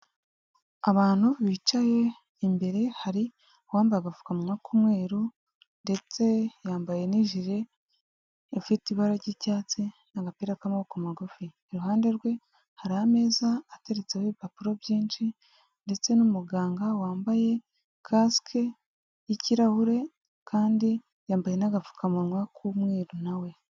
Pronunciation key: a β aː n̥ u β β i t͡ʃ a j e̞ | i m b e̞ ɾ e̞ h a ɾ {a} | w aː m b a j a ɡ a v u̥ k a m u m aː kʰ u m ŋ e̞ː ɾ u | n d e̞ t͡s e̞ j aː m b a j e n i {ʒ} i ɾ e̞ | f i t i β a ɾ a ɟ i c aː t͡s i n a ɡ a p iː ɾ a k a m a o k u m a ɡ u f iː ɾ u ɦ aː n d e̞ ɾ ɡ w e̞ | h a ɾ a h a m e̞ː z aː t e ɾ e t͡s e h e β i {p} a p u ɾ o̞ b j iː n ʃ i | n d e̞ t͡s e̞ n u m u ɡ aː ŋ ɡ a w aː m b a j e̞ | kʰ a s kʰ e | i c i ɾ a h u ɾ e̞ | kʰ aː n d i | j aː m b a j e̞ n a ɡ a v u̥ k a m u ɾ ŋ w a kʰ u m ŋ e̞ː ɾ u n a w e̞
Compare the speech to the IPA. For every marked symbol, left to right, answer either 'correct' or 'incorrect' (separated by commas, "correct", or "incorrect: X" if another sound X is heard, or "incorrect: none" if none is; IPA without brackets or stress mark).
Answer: incorrect: i, correct, correct